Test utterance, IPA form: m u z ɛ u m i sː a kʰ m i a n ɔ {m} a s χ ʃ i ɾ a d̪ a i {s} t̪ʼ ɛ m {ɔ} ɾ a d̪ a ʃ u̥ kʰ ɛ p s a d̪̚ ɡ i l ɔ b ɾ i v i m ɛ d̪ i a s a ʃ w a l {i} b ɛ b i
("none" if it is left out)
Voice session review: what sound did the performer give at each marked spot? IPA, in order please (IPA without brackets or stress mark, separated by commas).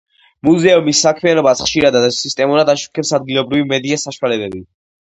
b, s, u, ɛ